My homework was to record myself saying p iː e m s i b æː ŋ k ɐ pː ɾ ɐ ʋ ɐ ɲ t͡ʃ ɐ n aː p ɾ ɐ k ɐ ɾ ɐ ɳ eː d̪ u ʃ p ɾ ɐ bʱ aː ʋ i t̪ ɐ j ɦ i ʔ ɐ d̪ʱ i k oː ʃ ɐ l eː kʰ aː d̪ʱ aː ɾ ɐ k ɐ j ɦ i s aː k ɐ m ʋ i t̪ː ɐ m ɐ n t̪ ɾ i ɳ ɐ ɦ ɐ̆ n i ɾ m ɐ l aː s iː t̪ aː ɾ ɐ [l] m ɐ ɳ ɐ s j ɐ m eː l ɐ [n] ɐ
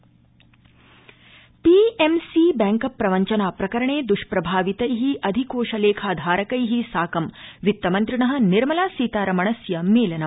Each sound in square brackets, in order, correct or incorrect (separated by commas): incorrect, correct